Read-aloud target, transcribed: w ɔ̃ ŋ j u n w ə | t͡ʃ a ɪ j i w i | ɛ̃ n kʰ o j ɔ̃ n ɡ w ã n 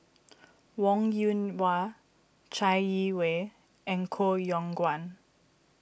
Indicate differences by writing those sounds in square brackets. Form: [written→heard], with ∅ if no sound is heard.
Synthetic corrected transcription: w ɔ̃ ŋ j u n w [ə→a] | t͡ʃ a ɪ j i w [i→e] | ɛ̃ n kʰ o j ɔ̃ [n→ŋ] ɡ w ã n